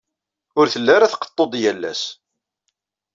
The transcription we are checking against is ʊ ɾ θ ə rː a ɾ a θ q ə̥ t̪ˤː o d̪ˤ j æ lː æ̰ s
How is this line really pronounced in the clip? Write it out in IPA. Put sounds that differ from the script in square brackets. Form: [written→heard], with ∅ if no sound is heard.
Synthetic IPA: ʊ ɾ θ ə [rː→lː] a ɾ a θ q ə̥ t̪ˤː o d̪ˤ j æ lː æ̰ s